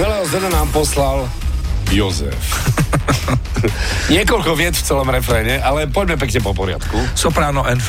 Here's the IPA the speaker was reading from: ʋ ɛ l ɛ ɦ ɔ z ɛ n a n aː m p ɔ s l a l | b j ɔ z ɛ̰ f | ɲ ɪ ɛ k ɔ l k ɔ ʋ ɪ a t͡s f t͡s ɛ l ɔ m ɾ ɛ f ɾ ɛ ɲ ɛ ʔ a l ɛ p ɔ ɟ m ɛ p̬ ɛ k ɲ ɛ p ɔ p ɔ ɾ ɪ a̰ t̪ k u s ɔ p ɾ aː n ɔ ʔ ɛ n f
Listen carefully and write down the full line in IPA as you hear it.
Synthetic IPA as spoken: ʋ ɛ l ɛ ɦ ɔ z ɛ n a n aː m p ɔ s l a l | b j ɔ z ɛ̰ f | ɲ ɪ ɛ k ɔ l k ɔ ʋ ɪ ɛ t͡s f t͡s ɛ l ɔ m ɾ ɛ f ɾ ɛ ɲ ɛ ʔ a l ɛ p ɔ ɟ m ɛ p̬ ɛ k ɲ ɛ p ɔ p ɔ ɾ ɪ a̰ t̪ k u s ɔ p ɾ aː n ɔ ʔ ɛ n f